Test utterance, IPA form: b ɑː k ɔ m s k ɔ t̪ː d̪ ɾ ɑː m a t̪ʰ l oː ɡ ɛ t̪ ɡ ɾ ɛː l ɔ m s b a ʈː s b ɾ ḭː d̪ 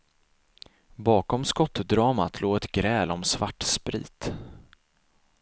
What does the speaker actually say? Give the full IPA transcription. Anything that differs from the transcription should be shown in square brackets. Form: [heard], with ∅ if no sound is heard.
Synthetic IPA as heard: b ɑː k ɔ m s k ɔ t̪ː d̪ ɾ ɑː m a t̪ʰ l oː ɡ ɛ t̪ ɡ ɾ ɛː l ɔ m s [v] a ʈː s [p] ɾ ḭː [t̪]

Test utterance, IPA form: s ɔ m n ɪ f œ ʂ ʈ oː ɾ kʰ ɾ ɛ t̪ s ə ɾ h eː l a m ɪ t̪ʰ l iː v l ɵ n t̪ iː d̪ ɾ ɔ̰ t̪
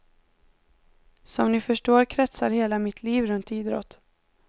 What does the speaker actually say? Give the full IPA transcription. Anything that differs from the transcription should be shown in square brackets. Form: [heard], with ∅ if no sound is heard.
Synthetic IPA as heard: s ɔ m n ɪ f œ ʂ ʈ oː ɾ kʰ ɾ ɛ t̪ s [a] ɾ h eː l a m ɪ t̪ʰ l iː v [ɾ] ɵ n t̪ iː d̪ ɾ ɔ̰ t̪

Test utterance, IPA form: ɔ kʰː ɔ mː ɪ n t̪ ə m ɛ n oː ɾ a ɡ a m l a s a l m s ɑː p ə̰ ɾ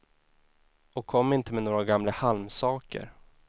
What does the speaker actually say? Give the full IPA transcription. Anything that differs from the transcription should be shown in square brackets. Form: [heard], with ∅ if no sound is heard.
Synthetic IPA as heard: ɔ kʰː ɔ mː ɪ n t̪ ə m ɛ n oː ɾ a ɡ a m l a [h] a l m s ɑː [k] ə̰ ɾ

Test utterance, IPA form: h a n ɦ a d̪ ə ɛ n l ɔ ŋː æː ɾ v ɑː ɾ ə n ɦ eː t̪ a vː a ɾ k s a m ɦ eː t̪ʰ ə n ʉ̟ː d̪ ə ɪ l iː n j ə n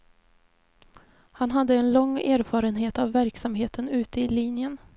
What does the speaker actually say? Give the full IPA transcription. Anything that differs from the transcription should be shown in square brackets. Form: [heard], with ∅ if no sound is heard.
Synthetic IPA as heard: h a n ɦ a [d̪ː] ə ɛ n l ɔ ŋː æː ɾ [f] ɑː ɾ ə n ɦ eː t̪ a vː [æ] ɾ k s a m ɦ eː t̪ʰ ə n ʉ̟ː [t̪] ə ɪ l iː n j ə n

